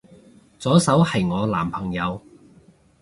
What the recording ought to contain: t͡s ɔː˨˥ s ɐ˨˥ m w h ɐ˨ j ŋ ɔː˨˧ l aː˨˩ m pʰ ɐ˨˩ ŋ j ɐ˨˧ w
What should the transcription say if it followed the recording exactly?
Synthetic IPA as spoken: t͡s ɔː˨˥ s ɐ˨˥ w h ɐ˨ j ŋ ɔː˨˧ l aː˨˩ m pʰ ɐ˨˩ ŋ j ɐ˨˧ w